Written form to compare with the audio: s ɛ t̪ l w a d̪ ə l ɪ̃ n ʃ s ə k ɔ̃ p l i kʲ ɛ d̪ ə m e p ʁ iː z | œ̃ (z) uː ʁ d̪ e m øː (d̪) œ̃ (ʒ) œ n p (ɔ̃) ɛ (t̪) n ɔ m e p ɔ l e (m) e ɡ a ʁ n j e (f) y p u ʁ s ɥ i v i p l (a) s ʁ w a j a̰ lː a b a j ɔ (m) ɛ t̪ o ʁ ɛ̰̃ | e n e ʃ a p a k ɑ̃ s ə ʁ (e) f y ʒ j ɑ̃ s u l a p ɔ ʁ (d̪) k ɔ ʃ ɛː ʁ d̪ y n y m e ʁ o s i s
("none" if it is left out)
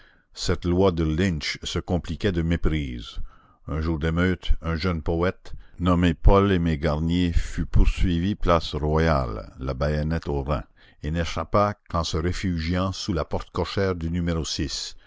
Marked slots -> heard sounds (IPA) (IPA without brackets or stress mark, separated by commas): ʒ, t̪, ʒ, ɔ, t̪, m, f, a, n, e, t̪